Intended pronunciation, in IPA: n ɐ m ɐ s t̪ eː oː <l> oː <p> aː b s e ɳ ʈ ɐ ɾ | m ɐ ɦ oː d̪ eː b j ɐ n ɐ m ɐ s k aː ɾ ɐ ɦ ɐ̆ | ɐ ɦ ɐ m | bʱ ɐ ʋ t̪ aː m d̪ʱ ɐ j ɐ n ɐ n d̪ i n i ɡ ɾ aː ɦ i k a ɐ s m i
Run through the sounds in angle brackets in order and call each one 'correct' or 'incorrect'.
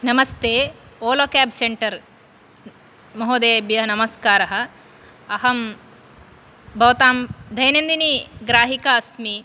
correct, incorrect: k

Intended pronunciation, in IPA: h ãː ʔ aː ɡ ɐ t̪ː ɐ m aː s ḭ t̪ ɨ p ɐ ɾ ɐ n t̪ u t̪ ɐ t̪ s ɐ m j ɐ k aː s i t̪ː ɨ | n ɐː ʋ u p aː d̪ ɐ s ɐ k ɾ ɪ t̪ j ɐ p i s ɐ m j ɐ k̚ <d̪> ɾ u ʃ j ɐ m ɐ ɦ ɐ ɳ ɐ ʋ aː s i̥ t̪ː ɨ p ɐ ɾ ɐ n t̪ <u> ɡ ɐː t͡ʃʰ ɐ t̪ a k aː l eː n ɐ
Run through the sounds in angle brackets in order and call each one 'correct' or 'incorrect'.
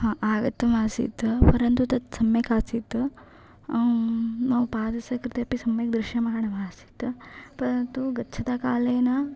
correct, correct

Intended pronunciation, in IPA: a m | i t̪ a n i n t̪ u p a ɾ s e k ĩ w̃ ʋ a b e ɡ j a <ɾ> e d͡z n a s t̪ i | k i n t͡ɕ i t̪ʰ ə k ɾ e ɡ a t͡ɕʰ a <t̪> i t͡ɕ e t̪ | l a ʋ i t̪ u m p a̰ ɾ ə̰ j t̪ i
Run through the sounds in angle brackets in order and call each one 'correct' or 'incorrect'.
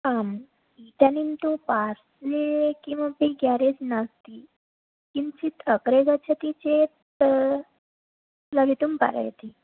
correct, correct

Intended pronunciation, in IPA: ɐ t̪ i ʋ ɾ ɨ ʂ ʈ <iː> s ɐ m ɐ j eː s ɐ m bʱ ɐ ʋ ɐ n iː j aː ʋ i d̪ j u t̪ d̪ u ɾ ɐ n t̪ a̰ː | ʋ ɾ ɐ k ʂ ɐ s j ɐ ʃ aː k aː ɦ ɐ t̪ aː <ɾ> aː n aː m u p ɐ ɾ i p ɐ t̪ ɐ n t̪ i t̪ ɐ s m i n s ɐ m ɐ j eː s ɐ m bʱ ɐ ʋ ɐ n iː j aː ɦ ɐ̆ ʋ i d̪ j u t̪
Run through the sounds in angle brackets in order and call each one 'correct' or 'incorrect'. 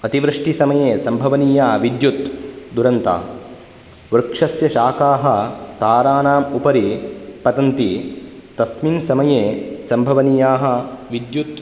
incorrect: i, correct

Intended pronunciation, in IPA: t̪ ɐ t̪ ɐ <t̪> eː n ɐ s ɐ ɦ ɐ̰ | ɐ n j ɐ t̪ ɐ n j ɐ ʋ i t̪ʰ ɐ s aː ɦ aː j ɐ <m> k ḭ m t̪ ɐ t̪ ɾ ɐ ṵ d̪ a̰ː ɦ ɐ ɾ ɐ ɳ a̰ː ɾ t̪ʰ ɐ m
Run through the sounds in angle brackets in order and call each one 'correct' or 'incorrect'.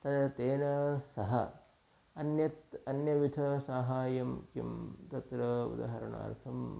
correct, correct

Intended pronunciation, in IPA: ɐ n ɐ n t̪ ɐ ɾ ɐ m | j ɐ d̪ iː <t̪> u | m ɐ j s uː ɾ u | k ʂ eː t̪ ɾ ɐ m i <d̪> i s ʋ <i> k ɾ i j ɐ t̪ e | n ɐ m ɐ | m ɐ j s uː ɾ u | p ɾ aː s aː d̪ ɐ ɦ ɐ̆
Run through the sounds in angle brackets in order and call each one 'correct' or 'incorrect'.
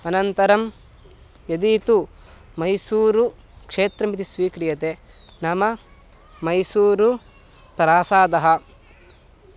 correct, incorrect: t̪, incorrect: iː

